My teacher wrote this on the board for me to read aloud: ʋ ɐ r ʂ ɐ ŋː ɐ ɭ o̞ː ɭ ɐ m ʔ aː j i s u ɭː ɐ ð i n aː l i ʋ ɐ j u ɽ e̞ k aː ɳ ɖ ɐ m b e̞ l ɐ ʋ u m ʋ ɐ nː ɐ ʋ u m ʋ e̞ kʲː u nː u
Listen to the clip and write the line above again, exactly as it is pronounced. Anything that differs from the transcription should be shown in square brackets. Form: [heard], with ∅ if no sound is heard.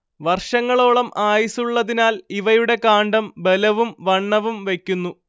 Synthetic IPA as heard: ʋ ɐ r ʂ ɐ ŋː ɐ ɭ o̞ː ɭ ɐ m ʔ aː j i s u ɭː ɐ ð i n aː l i ʋ ɐ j u ɽ e̞ k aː ɳ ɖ ɐ m b e̞ l ɐ ʋ u m ʋ ɐ [ɳː] ɐ ʋ u m ʋ e̞ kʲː u nː u